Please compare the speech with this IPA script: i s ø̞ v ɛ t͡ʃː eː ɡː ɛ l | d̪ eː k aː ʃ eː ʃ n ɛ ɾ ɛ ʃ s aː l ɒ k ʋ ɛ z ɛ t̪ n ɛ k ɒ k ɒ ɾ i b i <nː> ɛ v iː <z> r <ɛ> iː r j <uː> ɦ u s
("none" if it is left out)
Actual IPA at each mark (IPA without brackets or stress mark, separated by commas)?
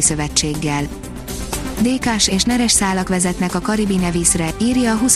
n, s, ɛ, ɒː